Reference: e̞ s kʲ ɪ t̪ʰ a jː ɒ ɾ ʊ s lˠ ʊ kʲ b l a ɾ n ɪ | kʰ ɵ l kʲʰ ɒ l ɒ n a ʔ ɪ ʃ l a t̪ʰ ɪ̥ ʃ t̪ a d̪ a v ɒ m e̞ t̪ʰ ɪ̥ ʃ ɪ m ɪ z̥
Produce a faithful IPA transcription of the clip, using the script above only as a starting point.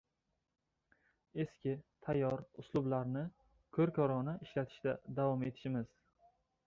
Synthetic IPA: e̞ s kʲ ɪ t̪ʰ a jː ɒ ɾ ʊ s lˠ ʊ b l a ɾ n ɪ | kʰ ɵ ɾ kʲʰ ɒ ɾ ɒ n a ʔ ɪ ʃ l a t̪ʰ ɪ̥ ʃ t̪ a d̪ a v ɒ m e̞ t̪ʰ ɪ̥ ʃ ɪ m ɪ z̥